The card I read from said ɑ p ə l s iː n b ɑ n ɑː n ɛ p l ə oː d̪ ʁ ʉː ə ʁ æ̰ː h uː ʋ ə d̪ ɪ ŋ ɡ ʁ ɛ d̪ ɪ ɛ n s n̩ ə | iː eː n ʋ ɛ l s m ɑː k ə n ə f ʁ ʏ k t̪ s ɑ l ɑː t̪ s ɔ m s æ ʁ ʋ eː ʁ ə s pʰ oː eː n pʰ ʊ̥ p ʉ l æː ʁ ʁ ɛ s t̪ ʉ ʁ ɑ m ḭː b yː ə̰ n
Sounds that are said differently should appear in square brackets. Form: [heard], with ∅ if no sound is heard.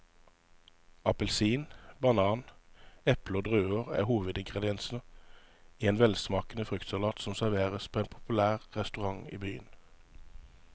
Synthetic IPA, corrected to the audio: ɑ p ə l s iː n b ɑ n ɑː n ɛ p l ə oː d̪ ʁ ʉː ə ʁ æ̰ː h uː ʋ ə d̪ ɪ ŋ ɡ ʁ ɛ d̪ ɪ ɛ n s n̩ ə | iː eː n ʋ ɛ l s m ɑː k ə n ə f ʁ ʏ k t̪ s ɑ l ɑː t̪ s ɔ m s æ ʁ ʋ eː ʁ ə s pʰ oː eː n pʰ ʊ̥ p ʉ l æː ʁ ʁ ɛ s t̪ ʉ ʁ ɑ [ŋ] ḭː b yː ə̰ n